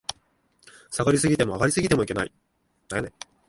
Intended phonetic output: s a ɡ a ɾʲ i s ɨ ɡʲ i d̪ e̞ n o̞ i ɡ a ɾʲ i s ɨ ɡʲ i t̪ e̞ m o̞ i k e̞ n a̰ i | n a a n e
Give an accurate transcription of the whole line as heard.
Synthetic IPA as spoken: s a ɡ a ɾʲ i s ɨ ɡʲ i t̪ e̞ m o̞ a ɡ a ɾʲ i s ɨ ɡʲ i t̪ e̞ m o̞ i k e̞ n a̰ i | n a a n e